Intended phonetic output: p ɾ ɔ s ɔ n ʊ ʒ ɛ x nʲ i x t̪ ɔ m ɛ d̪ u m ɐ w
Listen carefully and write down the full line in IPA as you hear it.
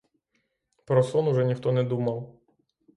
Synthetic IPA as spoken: p ɾ ɔ s ɔ n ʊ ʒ ɛ nʲ i x t̪ ɔ n ɛ d̪ u m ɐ w